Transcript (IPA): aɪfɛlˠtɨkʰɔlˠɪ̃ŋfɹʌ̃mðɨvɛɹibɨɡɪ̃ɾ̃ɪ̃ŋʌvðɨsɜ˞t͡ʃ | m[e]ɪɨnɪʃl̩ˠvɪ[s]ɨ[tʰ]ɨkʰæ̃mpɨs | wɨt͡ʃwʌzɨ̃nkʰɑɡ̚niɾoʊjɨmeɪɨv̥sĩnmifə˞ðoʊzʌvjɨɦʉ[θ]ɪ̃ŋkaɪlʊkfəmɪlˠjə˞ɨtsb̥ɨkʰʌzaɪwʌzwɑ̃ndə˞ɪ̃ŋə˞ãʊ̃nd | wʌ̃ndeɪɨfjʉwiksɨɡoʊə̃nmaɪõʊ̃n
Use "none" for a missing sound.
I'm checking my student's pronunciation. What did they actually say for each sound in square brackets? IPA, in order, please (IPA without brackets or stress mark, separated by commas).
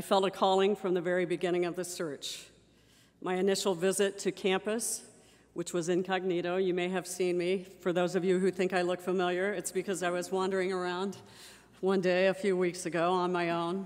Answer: a, z, tʰ, θ